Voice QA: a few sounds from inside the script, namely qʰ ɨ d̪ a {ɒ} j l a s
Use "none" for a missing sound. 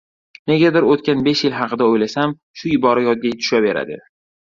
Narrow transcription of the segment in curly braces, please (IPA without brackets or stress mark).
o